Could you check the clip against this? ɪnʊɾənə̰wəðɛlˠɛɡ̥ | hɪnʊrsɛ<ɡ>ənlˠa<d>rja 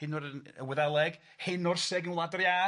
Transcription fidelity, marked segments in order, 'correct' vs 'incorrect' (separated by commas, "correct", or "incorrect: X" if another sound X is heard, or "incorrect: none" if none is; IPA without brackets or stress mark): correct, correct